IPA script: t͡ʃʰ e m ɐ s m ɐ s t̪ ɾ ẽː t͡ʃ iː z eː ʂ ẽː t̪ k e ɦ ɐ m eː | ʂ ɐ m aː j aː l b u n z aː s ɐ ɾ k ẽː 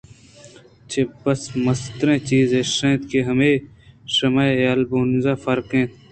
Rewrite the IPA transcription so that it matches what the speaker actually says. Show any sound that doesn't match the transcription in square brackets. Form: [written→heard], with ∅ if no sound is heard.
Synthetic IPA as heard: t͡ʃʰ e [m→b] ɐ s m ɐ s t̪ ɾ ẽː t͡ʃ iː z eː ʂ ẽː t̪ k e ɦ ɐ m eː | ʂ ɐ m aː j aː l b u n z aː [s→f] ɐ ɾ k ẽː